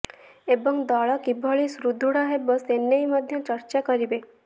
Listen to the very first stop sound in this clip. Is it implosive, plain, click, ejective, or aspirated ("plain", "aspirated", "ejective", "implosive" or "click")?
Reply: plain